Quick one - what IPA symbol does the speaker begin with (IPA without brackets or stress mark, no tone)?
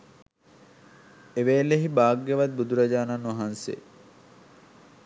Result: e